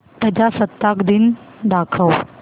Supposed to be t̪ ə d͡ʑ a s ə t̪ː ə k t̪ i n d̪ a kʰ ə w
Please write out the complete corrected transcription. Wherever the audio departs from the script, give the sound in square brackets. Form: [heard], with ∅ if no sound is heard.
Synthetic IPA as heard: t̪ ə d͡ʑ a s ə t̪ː [a] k [d̪] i n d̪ a kʰ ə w